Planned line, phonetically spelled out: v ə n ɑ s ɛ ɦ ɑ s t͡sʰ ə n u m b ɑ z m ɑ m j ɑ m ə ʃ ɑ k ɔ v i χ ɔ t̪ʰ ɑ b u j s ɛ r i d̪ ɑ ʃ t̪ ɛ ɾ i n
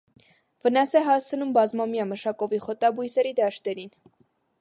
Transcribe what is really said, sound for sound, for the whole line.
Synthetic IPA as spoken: v ə n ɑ s ɛ ɦ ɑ s t͡sʰ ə n u m b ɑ z m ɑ m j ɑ m ə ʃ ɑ k ɔ v i χ ɔ t̪ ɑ b u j s ɛ ɾ i d̪ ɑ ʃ t̪ ɛ ɾ i n